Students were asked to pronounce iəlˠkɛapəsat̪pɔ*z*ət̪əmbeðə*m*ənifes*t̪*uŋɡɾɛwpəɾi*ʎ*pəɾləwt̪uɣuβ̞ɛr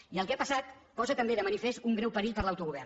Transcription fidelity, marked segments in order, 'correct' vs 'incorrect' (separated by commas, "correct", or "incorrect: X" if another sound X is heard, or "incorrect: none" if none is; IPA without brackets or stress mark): correct, correct, correct, correct